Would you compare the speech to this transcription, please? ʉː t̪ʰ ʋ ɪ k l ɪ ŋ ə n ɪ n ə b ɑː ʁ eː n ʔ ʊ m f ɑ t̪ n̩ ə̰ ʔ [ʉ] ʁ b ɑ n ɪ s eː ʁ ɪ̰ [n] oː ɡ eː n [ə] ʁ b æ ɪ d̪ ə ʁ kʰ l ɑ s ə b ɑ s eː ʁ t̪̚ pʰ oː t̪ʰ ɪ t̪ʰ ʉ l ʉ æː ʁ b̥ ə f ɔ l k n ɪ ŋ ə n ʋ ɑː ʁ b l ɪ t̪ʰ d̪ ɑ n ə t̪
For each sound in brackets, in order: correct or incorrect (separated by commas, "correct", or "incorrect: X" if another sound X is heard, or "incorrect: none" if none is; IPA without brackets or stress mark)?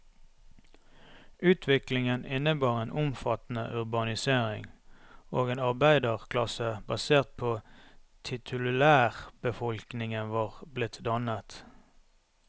correct, incorrect: ŋ, incorrect: ɑ